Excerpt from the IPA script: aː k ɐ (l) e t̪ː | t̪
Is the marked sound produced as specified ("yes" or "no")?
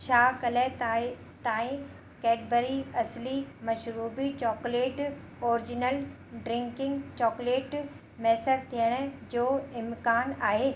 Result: yes